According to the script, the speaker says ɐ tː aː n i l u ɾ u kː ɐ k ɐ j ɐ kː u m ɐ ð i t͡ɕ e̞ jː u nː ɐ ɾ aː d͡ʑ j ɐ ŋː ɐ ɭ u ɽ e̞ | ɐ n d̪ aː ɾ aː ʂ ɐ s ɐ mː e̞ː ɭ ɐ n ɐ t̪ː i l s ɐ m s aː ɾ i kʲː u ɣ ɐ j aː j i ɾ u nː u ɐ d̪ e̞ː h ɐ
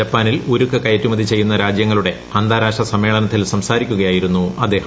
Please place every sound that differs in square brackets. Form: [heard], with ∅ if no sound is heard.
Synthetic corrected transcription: ɐ [pː] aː n i l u ɾ u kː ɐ k ɐ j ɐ [tː] u m ɐ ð i t͡ɕ e̞ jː u nː ɐ ɾ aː d͡ʑ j ɐ ŋː ɐ ɭ u ɽ e̞ | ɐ n d̪ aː ɾ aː ʂ ɐ s ɐ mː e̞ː ɭ ɐ n ɐ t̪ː i l s ɐ m s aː ɾ i kʲː u ɣ ɐ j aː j i ɾ u nː u ɐ d̪ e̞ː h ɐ